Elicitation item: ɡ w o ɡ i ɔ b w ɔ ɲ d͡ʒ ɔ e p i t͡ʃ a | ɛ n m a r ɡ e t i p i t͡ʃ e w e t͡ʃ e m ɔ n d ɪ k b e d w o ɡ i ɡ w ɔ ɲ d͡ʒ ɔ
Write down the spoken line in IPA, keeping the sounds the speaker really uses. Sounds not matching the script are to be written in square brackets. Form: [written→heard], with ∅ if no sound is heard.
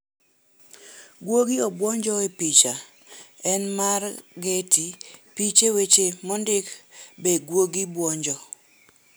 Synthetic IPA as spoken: ɡ w o ɡ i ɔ b w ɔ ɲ d͡ʒ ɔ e p i t͡ʃ a | ɛ n m a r ɡ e t i p i t͡ʃ e w e t͡ʃ e m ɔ n d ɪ k b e [d→ɡ] w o ɡ i [ɡ→b] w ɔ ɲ d͡ʒ ɔ